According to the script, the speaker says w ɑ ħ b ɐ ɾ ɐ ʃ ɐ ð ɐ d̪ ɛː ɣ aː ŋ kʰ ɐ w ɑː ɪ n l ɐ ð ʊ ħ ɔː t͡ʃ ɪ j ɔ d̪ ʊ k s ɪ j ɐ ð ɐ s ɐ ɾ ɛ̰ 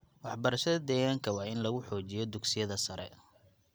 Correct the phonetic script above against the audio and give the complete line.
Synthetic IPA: w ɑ ħ b ɐ ɾ ɐ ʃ ɐ ð ɐ d̪ ɛː ɣ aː ŋ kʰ ɐ w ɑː ɪ n l ɐ ɣ ʊ ħ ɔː t͡ʃ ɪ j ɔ d̪ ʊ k s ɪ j ɐ ð ɐ s ɐ ɾ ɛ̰